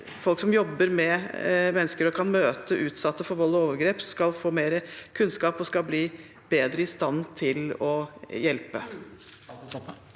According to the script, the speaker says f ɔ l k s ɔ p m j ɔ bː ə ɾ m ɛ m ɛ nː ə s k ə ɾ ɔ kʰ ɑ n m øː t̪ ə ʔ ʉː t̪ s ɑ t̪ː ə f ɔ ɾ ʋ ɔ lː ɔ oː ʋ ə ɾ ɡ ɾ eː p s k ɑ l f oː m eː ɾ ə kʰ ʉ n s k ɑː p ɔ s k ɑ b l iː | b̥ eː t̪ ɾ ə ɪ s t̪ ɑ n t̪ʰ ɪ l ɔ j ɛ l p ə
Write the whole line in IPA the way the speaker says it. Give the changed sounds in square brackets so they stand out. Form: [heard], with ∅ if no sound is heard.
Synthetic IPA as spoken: f ɔ l k s ɔ [∅] m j ɔ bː ə ɾ m ɛ m ɛ nː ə s k ə ɾ ɔ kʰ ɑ n m øː t̪ ə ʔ ʉː t̪ s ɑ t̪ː ə f ɔ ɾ ʋ ɔ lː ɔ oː ʋ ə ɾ ɡ ɾ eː p s k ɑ l f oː m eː ɾ ə kʰ ʉ n s k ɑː p ɔ s k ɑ b l iː | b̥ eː [d̪] ɾ ə ɪ s t̪ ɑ n t̪ʰ ɪ l ɔ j ɛ l p ə

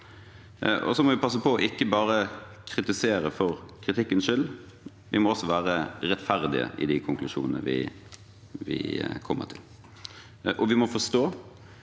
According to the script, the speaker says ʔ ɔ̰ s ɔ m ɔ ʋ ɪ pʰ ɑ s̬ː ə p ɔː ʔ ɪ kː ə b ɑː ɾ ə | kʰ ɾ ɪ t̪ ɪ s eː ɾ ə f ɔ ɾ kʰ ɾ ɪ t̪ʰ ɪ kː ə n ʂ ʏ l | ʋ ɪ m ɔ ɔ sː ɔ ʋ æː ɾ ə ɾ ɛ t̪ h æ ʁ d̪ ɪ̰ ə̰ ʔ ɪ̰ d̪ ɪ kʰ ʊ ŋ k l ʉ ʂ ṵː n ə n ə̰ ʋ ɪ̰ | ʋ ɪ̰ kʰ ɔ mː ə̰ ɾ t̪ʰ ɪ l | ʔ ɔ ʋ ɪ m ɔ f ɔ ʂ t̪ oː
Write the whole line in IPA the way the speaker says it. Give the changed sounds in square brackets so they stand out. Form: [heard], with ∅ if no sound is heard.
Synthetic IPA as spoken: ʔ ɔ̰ s ɔ m ɔ ʋ ɪ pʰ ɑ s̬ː ə p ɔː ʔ ɪ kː ə b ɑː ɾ ə | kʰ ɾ ɪ t̪ ɪ s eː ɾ ə f ɔ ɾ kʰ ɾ ɪ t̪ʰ ɪ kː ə n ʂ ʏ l | ʋ ɪ m ɔ ɔ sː ɔ ʋ æː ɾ ə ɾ ɛ t̪ [f] æ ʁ d̪ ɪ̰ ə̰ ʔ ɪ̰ d̪ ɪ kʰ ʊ ŋ k l ʉ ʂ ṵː n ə n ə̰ ʋ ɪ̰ | ʋ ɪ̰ kʰ ɔ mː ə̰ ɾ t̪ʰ ɪ l | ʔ ɔ ʋ ɪ m ɔ f ɔ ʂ t̪ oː

